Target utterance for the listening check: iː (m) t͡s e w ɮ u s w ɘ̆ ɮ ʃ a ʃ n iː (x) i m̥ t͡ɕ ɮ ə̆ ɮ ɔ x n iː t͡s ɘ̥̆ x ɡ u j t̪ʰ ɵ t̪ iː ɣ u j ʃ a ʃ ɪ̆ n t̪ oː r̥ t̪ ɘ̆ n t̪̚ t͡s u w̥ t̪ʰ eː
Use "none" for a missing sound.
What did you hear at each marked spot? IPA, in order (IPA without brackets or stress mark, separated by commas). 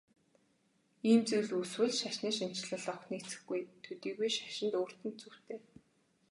m, ʃ